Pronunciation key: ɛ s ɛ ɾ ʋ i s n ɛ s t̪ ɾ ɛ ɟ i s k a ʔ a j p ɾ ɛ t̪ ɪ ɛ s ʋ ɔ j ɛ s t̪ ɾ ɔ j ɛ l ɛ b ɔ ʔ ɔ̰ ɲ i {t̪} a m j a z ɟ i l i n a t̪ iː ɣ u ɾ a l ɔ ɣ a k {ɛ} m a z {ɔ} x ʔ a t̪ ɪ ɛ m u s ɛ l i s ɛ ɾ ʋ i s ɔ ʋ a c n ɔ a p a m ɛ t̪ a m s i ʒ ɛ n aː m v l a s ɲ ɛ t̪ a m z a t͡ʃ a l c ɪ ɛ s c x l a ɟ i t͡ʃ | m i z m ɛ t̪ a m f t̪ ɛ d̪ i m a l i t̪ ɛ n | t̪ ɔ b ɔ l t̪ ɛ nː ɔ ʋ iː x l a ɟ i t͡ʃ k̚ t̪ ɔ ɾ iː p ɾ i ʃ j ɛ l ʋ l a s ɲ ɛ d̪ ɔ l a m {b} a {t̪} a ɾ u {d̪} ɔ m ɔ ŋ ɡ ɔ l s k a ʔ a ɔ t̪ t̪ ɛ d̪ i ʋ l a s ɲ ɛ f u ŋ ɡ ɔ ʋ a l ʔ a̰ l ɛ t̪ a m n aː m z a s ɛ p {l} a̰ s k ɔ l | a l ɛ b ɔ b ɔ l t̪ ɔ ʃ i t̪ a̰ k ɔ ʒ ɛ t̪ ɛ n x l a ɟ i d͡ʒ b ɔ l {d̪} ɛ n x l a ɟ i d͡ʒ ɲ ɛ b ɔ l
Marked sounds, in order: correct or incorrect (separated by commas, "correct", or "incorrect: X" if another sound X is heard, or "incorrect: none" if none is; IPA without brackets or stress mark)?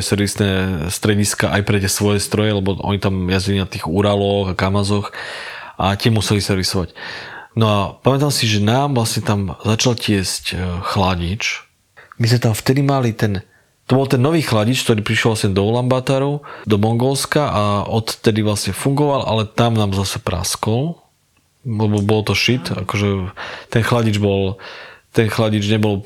correct, incorrect: a, correct, correct, correct, correct, incorrect: ɾ, incorrect: t̪